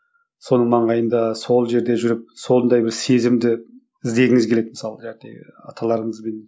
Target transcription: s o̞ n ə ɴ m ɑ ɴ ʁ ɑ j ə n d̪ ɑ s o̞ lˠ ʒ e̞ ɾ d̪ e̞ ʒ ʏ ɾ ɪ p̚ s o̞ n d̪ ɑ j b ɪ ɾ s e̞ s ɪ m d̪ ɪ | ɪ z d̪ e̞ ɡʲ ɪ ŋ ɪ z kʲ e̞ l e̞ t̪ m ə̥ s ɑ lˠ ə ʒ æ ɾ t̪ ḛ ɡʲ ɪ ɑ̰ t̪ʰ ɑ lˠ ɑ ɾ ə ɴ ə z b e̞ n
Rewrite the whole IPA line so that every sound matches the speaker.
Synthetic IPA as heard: s o̞ n ə ɴ m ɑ ɴ ʁ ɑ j ə n d̪ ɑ s o̞ lˠ ʒ e̞ ɾ d̪ e̞ ʒ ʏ ɾ ɪ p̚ s o̞ n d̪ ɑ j b ɪ ɾ s e̞ z ɪ m d̪ ɪ | ɪ z d̪ e̞ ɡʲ ɪ ŋ ɪ z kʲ e̞ l e̞ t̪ m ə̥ s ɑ lˠ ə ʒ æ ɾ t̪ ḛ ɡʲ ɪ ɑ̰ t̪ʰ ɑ lˠ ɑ ɾ ə ɴ ə z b e̞ n